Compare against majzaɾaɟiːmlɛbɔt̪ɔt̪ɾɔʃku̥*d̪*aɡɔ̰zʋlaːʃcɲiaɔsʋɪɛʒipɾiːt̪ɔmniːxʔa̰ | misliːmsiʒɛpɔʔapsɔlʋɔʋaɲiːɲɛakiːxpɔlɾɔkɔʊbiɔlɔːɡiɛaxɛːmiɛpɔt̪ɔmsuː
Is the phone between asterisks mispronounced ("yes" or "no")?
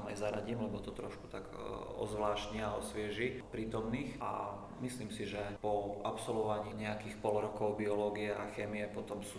yes